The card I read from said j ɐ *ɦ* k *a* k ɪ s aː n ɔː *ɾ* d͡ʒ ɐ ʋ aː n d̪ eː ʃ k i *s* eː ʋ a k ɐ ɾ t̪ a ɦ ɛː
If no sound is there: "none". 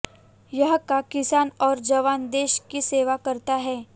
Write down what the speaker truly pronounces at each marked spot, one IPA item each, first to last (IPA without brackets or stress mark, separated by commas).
ɦ, a, ɾ, s